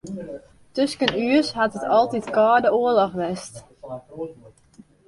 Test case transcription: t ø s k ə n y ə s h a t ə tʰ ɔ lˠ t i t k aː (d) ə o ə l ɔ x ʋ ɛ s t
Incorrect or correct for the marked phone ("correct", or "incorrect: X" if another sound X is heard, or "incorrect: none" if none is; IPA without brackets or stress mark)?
correct